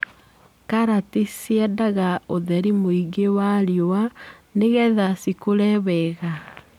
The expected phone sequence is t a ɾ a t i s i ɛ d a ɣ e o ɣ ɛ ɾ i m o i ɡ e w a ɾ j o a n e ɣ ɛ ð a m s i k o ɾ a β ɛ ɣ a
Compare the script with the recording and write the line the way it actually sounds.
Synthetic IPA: k a ɾ a t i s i ɛ d a ɣ a o ð ɛ ɾ i m o i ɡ e w a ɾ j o a n e ɣ ɛ ð a s i k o ɾ ɛ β ɛ ɣ a